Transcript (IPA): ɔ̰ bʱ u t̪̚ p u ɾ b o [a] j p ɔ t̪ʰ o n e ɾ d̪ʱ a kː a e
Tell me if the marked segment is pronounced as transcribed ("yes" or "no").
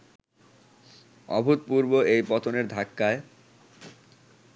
no